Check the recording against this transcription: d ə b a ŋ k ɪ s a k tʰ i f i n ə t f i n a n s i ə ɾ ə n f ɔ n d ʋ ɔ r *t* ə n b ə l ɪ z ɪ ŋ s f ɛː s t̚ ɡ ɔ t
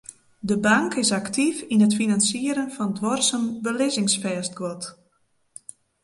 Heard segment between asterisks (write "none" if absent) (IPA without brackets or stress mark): s